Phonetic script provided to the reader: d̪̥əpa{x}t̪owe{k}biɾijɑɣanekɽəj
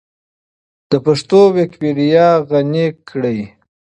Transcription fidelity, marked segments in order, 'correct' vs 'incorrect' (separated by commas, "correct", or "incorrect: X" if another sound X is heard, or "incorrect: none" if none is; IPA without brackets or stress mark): incorrect: ʂ, correct